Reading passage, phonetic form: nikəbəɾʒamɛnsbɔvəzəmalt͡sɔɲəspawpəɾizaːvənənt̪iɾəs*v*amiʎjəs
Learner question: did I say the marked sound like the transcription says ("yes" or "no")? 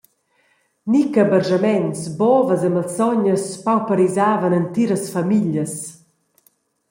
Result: no